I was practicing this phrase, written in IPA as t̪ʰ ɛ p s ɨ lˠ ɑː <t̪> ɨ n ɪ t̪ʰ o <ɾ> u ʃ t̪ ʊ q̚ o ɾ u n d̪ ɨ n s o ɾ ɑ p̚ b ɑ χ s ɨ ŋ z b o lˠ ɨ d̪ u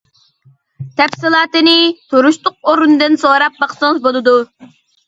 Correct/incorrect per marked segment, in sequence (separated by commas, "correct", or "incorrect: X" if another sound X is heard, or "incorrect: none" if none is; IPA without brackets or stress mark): correct, correct